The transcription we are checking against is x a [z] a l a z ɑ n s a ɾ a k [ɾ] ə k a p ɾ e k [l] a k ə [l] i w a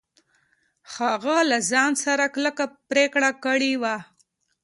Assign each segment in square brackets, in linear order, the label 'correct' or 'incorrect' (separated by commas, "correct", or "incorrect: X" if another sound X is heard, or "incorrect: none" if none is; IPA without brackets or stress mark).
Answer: incorrect: ɣ, incorrect: l, incorrect: ɽ, incorrect: ɽ